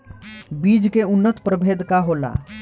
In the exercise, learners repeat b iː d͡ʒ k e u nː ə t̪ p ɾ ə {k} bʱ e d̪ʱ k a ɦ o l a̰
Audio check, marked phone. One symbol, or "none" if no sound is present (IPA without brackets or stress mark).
none